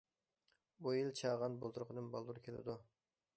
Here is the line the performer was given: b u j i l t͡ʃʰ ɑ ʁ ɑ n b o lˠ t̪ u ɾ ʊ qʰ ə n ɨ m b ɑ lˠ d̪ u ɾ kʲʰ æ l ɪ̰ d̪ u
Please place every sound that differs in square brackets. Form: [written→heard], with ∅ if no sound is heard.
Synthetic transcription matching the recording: b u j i l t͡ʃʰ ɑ ʁ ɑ n b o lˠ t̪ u ɾ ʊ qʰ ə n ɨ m b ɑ lˠ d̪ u ɾ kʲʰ [æ→e] l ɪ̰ d̪ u